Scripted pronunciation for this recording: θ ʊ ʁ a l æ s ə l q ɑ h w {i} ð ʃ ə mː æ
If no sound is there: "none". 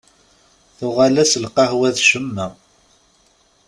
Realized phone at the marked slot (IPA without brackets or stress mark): æ